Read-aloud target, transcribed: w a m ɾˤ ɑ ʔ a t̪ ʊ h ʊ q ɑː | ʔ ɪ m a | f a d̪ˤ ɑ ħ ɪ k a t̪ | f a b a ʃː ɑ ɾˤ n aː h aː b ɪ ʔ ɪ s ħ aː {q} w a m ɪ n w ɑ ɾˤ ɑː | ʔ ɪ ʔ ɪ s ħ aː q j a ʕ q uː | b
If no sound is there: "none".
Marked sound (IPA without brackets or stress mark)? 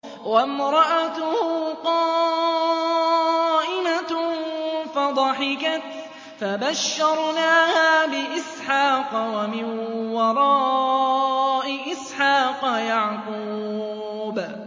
q